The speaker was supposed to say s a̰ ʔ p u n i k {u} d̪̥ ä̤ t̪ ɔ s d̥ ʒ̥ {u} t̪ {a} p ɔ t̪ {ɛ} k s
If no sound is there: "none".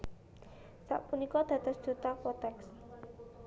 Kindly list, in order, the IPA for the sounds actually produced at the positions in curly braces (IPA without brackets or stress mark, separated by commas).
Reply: ɔ, u, a, ɛ